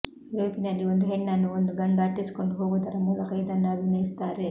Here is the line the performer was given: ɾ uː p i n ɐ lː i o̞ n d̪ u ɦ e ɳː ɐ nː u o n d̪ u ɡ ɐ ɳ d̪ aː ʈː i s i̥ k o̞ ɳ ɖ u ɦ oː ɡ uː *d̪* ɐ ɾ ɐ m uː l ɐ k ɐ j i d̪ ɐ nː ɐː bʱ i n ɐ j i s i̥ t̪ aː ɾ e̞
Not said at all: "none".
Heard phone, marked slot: d̪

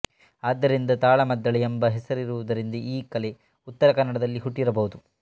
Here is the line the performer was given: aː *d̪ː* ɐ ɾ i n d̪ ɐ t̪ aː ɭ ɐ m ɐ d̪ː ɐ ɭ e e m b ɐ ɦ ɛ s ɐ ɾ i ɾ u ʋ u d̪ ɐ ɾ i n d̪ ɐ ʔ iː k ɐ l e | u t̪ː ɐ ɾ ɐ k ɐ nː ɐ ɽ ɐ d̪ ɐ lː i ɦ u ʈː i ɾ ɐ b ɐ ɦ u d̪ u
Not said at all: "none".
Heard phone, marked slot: d̪ː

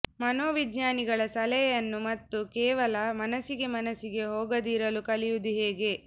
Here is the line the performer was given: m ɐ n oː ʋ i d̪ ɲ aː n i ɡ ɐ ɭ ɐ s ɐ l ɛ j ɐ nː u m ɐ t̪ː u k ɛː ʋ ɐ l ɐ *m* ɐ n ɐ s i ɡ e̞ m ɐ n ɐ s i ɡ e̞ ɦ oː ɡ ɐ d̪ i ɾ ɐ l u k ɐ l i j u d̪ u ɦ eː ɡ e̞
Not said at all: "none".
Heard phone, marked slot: m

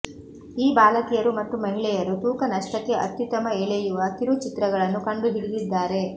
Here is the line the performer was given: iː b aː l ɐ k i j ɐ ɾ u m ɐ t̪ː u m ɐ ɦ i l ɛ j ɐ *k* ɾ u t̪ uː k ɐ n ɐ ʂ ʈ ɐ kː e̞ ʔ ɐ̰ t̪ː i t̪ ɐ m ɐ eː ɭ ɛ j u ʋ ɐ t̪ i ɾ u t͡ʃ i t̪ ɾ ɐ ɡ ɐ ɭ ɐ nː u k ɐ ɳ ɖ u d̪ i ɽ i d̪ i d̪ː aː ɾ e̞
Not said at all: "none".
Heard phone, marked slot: none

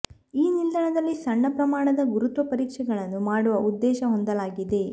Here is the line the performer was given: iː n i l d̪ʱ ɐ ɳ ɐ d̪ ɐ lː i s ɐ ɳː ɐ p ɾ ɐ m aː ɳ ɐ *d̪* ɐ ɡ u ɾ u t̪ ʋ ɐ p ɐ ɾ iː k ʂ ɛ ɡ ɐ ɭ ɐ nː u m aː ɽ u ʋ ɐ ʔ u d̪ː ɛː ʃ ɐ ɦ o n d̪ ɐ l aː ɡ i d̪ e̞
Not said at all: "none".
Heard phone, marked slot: d̪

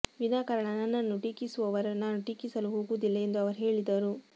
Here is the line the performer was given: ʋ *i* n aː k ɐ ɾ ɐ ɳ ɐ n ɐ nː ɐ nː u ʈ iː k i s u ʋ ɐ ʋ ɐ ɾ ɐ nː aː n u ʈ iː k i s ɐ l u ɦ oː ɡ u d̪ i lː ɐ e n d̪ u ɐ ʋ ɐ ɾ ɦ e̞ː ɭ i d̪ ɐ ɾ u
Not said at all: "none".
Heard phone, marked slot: i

